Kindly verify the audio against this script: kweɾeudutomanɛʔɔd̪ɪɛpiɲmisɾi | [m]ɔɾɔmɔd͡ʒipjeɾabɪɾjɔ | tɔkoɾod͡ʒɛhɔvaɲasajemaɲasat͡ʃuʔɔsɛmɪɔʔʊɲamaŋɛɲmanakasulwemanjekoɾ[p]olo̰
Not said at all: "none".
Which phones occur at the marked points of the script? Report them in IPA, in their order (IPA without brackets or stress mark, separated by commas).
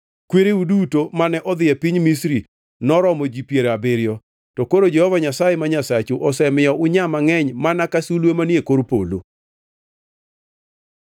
n, p